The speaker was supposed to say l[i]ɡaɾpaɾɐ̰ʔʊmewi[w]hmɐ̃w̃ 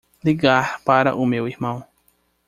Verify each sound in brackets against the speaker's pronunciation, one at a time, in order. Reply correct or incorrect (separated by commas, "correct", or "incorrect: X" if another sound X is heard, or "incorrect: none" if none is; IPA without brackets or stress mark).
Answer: correct, incorrect: none